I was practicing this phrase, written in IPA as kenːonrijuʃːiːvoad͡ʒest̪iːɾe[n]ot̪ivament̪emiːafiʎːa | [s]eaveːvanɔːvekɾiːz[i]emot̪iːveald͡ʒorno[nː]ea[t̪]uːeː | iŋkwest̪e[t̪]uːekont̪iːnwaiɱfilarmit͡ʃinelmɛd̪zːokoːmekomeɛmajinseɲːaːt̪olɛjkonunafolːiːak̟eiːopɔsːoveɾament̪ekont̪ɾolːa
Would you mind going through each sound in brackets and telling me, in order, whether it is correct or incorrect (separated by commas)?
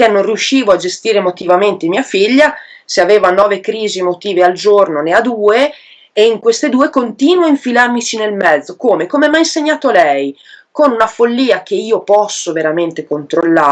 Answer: incorrect, correct, correct, incorrect, incorrect, incorrect